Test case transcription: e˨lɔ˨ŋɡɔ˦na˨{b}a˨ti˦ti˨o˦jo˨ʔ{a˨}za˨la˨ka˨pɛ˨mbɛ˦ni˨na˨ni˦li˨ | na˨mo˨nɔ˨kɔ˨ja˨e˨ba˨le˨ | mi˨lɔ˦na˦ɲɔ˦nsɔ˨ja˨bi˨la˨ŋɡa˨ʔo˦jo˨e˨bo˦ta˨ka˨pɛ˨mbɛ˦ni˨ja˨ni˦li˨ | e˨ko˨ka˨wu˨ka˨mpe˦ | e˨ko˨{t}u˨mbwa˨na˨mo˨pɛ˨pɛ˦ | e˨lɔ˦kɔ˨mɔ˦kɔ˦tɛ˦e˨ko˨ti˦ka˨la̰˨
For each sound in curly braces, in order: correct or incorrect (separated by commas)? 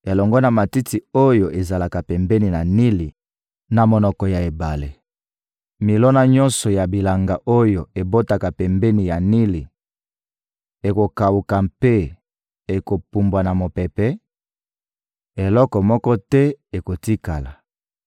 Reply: incorrect, incorrect, incorrect